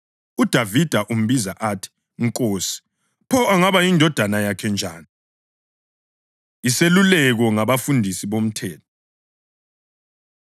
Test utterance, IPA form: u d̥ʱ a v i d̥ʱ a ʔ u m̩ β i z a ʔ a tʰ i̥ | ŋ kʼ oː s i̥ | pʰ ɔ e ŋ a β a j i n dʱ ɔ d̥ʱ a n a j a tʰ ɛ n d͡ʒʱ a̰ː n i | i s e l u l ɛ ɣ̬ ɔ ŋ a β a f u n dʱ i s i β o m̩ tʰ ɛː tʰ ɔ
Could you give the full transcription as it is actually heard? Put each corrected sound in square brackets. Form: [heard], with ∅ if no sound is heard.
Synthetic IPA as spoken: u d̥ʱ a v i d̥ʱ a ʔ u m̩ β i z a ʔ a tʰ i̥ | ŋ kʼ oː s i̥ | pʰ ɔ [a] ŋ a β a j i n dʱ ɔ d̥ʱ a n a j a [kʰ] ɛ n d͡ʒʱ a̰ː n i | i s e l u l ɛ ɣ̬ ɔ ŋ a β a f u n dʱ i s i β o m̩ tʰ ɛː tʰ ɔ

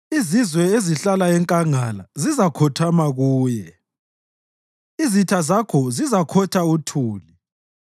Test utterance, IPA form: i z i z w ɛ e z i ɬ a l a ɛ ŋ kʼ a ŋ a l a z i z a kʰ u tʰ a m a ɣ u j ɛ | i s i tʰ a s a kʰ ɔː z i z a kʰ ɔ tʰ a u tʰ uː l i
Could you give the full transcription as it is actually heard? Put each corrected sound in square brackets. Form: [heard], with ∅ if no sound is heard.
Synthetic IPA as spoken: i z i z w ɛ e z i ɬ a l a ɛ ŋ kʼ a ŋ a l a z i z a kʰ [ɔ] tʰ a m a ɣ [uː] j ɛ | i [z] i tʰ a [z] a kʰ [ɔ] z i z a kʰ ɔ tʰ a u tʰ uː l i

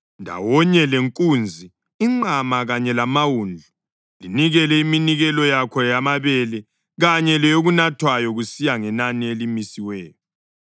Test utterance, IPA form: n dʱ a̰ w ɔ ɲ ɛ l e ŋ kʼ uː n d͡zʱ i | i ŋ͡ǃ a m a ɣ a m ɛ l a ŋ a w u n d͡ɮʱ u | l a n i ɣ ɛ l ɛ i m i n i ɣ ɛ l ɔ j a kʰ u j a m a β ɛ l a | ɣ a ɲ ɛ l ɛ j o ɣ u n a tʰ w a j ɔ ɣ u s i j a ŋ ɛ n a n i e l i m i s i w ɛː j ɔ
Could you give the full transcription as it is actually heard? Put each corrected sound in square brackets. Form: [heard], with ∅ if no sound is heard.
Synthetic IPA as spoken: n dʱ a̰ w ɔ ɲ ɛ l e ŋ kʼ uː n d͡zʱ i | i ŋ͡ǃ a m a ɣ a [ɲ] ɛ l a [m] a w u n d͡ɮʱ u | l [i] n i ɣ ɛ l ɛ i m i n i ɣ ɛ l ɔ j a kʰ [ɔ] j a m a β ɛ l [ɛ] | ɣ a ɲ ɛ l ɛ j o ɣ u n a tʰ w a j ɔ ɣ u s i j a ŋ ɛ n a n i e l i m i s i w ɛː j ɔ

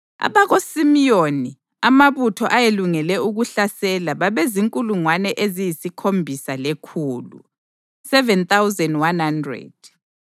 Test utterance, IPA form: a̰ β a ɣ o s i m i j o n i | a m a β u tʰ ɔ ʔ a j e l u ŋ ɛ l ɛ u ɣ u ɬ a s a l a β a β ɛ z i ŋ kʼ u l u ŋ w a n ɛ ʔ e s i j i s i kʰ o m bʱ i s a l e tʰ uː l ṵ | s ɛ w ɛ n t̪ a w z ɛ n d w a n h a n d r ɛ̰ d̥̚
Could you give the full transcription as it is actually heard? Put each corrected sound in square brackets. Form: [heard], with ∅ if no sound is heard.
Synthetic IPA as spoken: a̰ β a ɣ o s i m i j o n i | a m a β u tʰ ɔ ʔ a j e l u ŋ ɛ l ɛ u ɣ u ɬ a s [ɛ] l a β a β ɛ z i ŋ kʼ u l u ŋ w a n ɛ ʔ e [z] i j i s i kʰ o m bʱ i s a l e [kʰ] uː l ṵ | s ɛ [v] ɛ n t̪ a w z ɛ n d w a n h a n d r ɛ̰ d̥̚

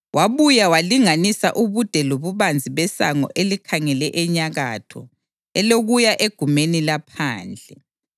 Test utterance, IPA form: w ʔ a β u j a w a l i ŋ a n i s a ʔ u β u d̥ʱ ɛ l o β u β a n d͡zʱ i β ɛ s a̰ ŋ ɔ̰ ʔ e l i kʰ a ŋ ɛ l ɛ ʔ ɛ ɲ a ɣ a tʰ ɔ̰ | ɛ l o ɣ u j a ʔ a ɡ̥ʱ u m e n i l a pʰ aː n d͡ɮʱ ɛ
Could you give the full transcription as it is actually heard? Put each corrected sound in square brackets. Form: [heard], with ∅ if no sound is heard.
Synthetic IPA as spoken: w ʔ a β u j a w a l i ŋ a n i s a ʔ u β u d̥ʱ ɛ l o β u β a n d͡zʱ i β ɛ s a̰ ŋ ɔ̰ ʔ e l i kʰ a ŋ ɛ l ɛ ʔ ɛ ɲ a ɣ a tʰ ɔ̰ | ɛ l o ɣ u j a ʔ [e] ɡ̥ʱ u m e n i l a pʰ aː n d͡ɮʱ ɛ

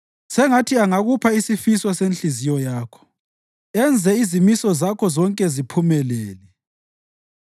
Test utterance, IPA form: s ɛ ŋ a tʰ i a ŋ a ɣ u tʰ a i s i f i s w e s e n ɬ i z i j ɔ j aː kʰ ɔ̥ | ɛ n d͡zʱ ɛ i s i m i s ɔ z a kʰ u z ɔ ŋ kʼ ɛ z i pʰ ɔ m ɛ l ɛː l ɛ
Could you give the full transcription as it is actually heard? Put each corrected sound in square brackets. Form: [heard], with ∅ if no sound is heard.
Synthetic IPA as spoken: s ɛ ŋ a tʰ i a ŋ a ɣ u [pʰ] a i s i f i s w [a] s e n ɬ i z i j ɔ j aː kʰ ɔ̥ | ɛ n d͡zʱ ɛ i [z] i m i s ɔ z a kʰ [ɔ] z ɔ ŋ kʼ ɛ z i pʰ [u] m ɛ l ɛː l ɛ

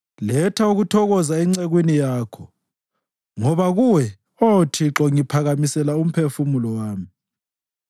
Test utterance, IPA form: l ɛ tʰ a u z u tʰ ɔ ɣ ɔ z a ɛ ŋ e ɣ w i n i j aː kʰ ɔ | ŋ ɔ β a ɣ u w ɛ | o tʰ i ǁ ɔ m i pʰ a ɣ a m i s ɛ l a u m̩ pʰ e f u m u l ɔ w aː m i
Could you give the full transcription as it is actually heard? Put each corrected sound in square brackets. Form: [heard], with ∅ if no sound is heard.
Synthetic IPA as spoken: l ɛ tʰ a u [ɣ] u tʰ ɔ ɣ ɔ z a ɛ [ŋ͡ǀ] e ɣ w i n i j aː kʰ ɔ | ŋ ɔ β a ɣ u w ɛ | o tʰ i ǁ ɔ [ŋ] i pʰ a ɣ a m i s ɛ l a u m̩ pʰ e f u m u l ɔ w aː m i

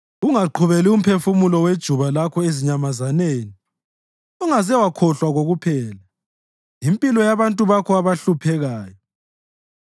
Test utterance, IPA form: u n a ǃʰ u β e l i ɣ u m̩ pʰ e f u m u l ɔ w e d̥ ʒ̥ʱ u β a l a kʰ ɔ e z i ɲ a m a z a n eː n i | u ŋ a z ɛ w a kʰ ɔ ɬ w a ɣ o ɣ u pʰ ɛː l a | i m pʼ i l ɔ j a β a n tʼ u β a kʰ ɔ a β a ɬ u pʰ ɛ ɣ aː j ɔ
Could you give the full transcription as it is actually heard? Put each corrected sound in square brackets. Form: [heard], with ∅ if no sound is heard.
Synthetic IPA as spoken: u [ŋ] a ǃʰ u β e l i [∅] u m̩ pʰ e f u m u l ɔ w e d̥ ʒ̥ʱ u β a l a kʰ ɔ e z i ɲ a m a z a n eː n i | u ŋ a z ɛ w a kʰ ɔ ɬ w a ɣ o ɣ u pʰ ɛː l a | i m pʼ i l ɔ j a β a n tʼ u β a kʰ ɔ a β a ɬ u pʰ ɛ ɣ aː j ɔ

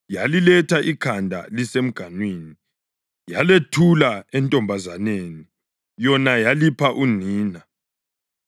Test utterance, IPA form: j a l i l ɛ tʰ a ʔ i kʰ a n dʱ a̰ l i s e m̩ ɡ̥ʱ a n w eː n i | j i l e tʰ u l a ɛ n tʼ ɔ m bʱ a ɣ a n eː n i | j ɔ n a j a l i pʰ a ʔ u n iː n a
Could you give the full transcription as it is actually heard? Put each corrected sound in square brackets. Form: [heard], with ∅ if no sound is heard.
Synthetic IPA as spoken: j a l i l ɛ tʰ a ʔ i kʰ a n dʱ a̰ l i s e m̩ ɡ̥ʱ a n w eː n i | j [a] l e tʰ u l a ɛ n tʼ ɔ m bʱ a [z] a n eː n i | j ɔ n a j a l i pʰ a ʔ u n iː n a

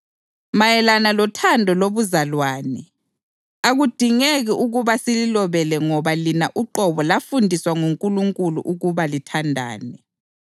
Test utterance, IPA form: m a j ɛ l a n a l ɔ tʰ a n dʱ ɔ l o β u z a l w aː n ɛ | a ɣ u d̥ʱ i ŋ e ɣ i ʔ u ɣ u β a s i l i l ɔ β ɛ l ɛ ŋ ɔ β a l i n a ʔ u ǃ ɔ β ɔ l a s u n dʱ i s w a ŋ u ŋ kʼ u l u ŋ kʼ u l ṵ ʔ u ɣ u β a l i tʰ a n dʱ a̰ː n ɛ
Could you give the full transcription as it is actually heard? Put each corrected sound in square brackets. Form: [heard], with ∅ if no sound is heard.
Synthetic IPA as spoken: m a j ɛ l a n a l ɔ tʰ a n dʱ ɔ l o β u z a l w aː n ɛ | a ɣ u d̥ʱ i ŋ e ɣ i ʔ u ɣ u β a s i l i l ɔ β ɛ l ɛ ŋ ɔ β a l i n a ʔ u ǃ ɔ β ɔ l a [f] u n dʱ i s w a ŋ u ŋ kʼ u l u ŋ kʼ u l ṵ ʔ u ɣ u β a l i tʰ a n dʱ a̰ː n ɛ

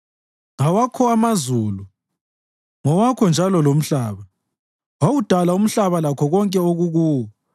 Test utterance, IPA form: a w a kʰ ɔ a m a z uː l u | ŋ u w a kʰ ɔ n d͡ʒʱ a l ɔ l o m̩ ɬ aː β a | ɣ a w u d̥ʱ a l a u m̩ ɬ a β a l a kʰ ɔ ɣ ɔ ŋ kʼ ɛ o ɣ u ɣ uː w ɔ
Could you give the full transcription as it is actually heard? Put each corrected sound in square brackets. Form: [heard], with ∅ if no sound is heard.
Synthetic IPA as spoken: a w a kʰ ɔ a m a z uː l u | ŋ [ɔ] w a kʰ ɔ n d͡ʒʱ a l ɔ l o m̩ ɬ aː β a | [w] a w u d̥ʱ a l a u m̩ ɬ a β a l a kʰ ɔ ɣ ɔ ŋ kʼ ɛ o ɣ u ɣ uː w ɔ

